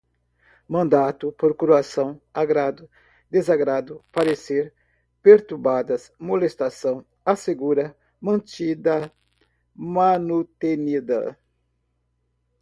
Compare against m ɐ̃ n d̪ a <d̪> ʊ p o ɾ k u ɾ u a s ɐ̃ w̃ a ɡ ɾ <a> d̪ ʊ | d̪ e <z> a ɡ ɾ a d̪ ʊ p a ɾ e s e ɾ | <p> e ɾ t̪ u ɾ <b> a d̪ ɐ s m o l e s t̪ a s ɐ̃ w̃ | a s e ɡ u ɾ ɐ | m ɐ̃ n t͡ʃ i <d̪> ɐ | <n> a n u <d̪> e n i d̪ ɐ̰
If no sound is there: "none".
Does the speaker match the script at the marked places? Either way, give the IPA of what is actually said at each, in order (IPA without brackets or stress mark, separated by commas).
t̪, a, z, p, b, d̪, m, t̪